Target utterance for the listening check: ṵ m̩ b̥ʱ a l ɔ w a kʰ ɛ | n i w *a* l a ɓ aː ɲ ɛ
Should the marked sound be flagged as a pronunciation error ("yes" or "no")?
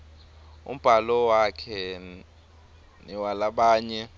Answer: no